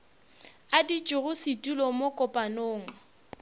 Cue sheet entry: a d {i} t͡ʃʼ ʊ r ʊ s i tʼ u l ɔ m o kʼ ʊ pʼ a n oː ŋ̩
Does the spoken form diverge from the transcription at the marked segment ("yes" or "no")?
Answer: no